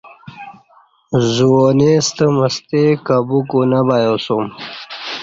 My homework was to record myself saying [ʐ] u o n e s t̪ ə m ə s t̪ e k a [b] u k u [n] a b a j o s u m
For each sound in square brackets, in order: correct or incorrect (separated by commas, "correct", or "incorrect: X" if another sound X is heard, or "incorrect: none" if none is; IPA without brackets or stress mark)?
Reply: incorrect: z, correct, correct